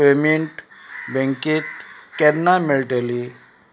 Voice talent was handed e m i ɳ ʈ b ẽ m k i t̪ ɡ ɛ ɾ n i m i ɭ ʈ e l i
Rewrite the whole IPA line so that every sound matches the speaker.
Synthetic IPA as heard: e m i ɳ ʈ b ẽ ŋ k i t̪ k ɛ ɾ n a m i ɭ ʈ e l i